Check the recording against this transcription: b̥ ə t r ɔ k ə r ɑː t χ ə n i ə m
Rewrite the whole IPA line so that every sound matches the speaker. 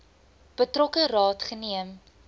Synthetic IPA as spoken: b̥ ə t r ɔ k ə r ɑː t χ ə n i ə m